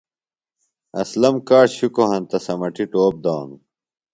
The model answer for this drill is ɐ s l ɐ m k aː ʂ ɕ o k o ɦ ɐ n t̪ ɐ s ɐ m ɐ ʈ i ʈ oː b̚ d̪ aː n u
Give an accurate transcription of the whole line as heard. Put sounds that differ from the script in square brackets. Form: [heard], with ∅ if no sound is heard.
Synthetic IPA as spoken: ɐ s l ɐ m k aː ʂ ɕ [u] k o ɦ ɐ n t̪ ɐ s ɐ m ɐ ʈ i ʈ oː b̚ d̪ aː n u